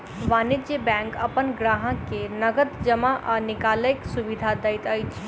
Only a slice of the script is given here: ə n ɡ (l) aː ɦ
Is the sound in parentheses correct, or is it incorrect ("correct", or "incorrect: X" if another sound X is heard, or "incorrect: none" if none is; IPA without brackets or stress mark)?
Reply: incorrect: ɾ